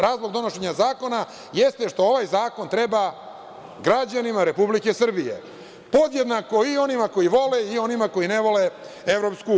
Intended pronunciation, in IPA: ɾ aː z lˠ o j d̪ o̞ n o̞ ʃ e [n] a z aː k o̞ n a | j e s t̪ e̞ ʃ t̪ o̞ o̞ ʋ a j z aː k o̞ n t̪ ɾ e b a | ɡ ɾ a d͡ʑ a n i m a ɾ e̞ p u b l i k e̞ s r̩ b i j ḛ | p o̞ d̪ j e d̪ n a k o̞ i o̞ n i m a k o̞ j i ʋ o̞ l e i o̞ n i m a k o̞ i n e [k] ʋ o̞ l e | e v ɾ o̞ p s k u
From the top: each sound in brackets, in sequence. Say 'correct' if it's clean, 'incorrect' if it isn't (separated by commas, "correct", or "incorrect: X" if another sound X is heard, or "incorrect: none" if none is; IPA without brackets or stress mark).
incorrect: ɲ, incorrect: none